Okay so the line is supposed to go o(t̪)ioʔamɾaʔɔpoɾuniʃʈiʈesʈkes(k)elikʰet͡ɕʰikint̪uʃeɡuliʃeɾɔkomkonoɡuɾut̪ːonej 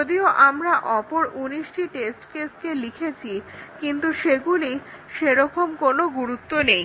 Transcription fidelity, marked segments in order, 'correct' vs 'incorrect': incorrect, correct

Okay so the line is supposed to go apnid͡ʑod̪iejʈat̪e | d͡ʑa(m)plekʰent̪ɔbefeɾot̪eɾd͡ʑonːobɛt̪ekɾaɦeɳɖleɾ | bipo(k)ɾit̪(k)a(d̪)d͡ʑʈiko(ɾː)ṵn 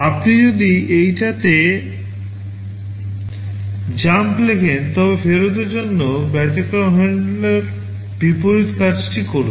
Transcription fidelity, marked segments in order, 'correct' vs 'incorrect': correct, incorrect, correct, incorrect, incorrect

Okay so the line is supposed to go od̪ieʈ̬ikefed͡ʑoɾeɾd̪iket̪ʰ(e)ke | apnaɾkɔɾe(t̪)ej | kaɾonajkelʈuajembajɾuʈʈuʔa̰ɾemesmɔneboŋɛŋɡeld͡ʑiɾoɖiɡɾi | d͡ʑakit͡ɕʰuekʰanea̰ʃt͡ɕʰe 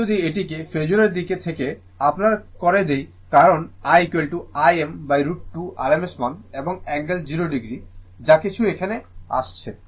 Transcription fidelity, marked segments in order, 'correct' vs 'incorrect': correct, incorrect

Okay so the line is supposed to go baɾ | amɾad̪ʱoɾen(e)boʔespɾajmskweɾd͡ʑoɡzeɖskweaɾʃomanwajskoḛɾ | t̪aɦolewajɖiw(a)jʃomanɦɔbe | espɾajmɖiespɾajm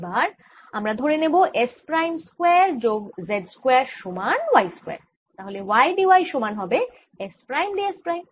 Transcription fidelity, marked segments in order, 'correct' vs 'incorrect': correct, correct

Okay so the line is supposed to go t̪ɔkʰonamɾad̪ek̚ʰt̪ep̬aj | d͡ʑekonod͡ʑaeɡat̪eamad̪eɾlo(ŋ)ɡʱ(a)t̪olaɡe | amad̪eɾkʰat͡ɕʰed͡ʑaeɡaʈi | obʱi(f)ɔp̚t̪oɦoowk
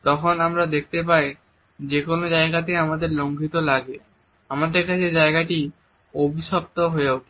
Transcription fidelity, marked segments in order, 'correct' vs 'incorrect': correct, incorrect, incorrect

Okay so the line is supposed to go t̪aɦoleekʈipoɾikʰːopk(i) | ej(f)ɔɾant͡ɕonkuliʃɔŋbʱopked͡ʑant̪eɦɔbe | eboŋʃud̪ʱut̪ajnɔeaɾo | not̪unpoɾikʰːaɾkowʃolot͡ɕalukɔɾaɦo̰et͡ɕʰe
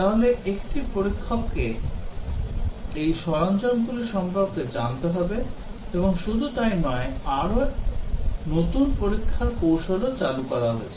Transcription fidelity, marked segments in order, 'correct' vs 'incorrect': incorrect, incorrect

